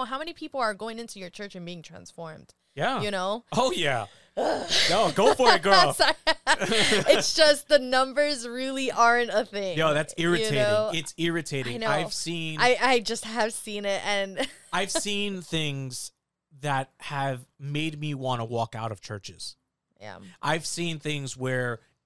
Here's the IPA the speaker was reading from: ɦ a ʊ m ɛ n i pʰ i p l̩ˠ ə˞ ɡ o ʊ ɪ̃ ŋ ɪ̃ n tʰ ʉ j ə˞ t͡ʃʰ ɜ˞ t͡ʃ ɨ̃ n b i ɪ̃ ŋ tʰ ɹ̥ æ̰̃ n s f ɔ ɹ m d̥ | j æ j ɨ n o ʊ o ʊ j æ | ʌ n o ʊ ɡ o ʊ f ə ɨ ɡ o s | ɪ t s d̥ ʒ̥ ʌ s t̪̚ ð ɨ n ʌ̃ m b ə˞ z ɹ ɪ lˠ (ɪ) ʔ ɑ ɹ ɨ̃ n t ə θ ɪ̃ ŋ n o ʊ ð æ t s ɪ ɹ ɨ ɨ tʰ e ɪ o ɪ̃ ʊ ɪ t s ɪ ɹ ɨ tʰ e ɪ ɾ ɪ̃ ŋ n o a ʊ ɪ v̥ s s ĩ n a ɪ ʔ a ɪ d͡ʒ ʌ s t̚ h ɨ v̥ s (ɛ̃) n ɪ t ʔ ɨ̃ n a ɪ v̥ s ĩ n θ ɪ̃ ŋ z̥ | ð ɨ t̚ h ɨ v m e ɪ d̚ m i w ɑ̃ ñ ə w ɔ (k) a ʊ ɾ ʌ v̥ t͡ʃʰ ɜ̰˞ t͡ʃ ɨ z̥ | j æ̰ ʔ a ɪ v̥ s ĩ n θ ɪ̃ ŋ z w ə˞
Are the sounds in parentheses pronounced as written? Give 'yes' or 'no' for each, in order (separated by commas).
no, no, yes